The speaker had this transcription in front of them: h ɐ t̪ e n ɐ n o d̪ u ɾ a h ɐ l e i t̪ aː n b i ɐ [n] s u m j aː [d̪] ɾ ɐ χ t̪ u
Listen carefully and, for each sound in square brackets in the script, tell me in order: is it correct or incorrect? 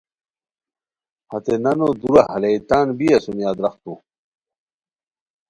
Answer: incorrect: none, correct

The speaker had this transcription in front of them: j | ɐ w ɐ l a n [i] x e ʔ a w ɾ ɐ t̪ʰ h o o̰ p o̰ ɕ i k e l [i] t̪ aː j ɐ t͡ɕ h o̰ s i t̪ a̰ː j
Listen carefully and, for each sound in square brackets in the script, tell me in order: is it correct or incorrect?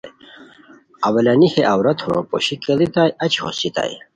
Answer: correct, correct

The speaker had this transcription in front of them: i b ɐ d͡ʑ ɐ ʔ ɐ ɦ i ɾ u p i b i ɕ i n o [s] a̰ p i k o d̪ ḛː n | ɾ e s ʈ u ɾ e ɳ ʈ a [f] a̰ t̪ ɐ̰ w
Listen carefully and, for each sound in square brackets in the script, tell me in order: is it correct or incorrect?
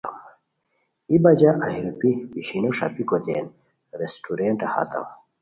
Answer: incorrect: ʂ, incorrect: h

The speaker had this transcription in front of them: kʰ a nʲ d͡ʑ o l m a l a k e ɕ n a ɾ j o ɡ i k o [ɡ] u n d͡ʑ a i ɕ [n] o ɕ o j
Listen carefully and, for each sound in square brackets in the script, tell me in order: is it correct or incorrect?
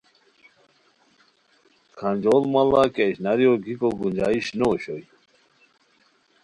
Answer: correct, correct

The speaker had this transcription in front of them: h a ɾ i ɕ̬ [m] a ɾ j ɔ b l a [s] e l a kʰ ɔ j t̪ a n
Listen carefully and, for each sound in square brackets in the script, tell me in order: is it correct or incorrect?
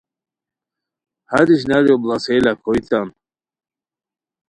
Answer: incorrect: n, correct

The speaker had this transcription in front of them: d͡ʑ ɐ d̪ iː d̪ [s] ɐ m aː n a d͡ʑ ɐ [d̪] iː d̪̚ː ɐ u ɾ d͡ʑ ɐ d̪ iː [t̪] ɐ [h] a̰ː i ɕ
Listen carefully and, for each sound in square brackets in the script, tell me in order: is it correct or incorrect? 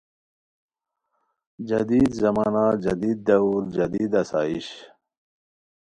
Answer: incorrect: z, correct, incorrect: d̪, incorrect: s

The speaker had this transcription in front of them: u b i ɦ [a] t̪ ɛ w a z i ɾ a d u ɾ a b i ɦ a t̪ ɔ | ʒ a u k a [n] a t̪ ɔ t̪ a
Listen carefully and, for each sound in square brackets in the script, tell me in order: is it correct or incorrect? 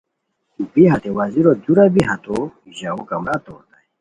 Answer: correct, incorrect: m

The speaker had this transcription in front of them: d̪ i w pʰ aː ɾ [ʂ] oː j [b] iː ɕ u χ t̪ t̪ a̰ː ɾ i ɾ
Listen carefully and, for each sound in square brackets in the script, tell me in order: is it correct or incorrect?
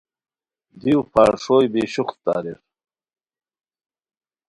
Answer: correct, correct

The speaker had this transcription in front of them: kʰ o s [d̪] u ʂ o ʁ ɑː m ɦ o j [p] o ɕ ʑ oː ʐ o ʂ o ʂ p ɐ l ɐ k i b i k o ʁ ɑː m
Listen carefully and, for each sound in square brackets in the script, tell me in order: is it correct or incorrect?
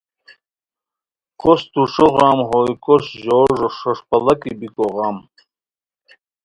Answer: incorrect: t̪, incorrect: k

